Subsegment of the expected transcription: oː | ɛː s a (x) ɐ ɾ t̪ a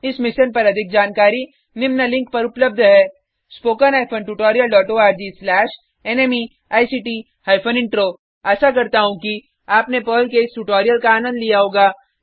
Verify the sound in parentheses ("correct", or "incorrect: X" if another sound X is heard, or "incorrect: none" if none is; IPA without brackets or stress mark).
incorrect: k